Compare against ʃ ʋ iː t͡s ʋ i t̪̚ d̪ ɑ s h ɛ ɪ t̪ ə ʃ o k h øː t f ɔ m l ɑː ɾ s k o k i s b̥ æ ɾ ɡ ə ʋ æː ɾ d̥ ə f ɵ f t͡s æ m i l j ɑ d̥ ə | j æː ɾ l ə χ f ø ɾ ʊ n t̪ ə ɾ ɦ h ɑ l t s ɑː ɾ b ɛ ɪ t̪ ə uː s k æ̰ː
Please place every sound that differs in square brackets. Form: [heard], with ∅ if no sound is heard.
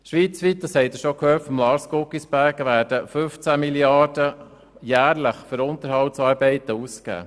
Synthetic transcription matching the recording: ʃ ʋ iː t͡s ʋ i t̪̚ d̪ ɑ s h ɛ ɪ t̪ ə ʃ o k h øː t f ɔ m l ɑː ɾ s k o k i s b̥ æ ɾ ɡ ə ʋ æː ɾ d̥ ə f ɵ f t͡s æ m i l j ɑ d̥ ə | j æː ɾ l ə χ f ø ɾ ʊ n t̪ ə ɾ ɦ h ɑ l t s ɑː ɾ b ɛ ɪ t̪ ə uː s k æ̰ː